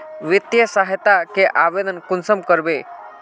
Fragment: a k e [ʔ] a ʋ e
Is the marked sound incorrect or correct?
correct